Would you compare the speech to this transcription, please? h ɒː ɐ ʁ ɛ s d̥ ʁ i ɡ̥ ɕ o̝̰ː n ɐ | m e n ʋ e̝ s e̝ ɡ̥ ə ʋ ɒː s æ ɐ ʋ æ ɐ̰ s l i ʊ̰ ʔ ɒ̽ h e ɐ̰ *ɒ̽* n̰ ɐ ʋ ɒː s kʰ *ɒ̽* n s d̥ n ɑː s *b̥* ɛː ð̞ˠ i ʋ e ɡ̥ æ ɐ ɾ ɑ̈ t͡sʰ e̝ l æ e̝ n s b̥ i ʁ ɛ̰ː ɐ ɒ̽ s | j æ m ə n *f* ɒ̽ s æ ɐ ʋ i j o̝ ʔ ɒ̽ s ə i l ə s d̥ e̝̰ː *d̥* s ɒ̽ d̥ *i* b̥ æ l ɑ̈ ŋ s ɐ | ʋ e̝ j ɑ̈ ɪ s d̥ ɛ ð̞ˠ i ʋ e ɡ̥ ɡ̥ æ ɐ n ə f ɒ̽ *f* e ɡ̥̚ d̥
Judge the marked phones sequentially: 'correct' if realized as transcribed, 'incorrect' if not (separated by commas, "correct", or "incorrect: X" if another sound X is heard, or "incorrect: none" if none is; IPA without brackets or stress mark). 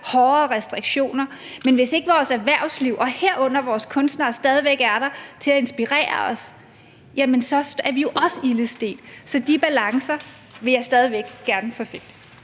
incorrect: ɔ̽, incorrect: ɔ̽, incorrect: d̥, incorrect: s, correct, correct, correct